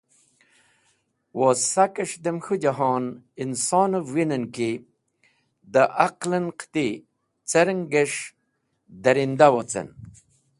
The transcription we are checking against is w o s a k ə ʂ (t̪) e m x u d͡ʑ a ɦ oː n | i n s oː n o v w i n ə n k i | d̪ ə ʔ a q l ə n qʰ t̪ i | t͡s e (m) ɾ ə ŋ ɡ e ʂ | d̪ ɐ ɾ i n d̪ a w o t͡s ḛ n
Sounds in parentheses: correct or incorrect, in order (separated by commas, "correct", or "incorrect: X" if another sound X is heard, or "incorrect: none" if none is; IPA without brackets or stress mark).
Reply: incorrect: d̪, incorrect: none